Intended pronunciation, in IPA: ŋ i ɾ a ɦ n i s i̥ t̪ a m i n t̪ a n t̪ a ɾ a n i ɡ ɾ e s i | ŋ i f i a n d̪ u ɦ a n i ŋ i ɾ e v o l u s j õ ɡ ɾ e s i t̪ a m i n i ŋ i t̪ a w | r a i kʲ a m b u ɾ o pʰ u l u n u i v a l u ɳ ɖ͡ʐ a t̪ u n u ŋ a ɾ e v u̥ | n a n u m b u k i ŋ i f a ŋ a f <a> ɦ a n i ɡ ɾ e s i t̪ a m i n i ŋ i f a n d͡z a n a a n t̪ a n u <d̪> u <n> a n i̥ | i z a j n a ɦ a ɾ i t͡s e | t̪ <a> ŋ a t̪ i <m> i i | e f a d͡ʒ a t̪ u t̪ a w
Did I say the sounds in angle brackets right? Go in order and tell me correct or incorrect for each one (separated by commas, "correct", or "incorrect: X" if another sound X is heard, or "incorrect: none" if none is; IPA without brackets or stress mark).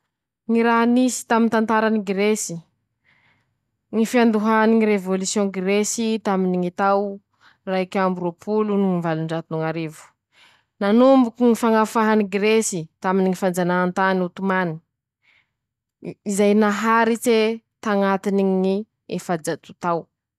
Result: correct, incorrect: t̪, incorrect: m, correct, incorrect: n